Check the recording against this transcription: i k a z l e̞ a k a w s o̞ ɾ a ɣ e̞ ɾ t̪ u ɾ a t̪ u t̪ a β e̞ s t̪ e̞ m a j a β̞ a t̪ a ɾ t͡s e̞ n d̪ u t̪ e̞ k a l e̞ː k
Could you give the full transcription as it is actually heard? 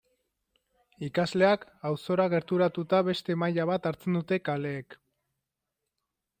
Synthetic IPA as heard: i k a z l e̞ a k a w s o̞ ɾ a ɣ e̞ ɾ t̪ u ɾ a t̪ u t̪ a β e̞ s t̪ e̞ m a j a β̞ a t̪ a ɾ t͡s e̞ n d̪ u t̪ e̞ k a l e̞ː k